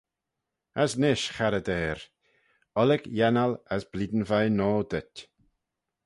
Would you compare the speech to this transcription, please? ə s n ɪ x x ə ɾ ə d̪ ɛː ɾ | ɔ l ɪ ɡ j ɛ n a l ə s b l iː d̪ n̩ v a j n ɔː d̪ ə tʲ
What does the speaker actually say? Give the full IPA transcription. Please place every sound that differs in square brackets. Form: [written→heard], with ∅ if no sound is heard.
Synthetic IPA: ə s n ɪ [x→ʃ] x [ə→a] ɾ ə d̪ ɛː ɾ | ɔ l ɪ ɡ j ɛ n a l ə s b l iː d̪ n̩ v a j n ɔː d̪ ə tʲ